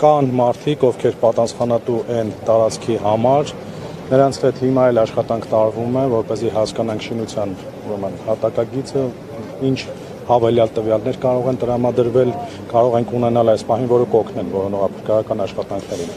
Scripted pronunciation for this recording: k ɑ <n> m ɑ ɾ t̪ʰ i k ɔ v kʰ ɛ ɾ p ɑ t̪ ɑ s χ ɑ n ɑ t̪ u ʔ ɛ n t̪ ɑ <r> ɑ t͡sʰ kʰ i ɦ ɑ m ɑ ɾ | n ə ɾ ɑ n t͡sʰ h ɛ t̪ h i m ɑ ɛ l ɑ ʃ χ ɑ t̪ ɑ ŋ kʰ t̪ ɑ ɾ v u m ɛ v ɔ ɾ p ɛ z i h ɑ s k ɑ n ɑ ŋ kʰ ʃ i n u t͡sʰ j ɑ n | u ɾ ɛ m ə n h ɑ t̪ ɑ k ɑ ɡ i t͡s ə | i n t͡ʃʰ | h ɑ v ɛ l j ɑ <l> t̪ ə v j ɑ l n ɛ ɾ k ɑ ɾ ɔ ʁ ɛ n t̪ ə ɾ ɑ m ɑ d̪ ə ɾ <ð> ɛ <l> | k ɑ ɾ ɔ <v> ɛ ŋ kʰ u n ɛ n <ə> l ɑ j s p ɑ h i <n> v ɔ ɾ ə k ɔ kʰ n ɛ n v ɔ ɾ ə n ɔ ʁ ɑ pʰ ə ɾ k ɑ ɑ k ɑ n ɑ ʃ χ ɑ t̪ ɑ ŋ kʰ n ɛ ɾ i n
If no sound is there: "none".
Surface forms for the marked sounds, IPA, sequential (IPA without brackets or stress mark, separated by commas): n, ɾ, l, v, l, ʁ, ɑ, n